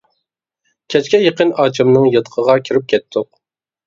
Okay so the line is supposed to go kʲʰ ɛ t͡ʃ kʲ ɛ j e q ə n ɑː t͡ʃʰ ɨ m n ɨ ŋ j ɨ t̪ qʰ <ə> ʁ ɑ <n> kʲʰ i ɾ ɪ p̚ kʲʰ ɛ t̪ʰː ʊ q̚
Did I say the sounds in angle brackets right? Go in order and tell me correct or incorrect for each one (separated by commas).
correct, incorrect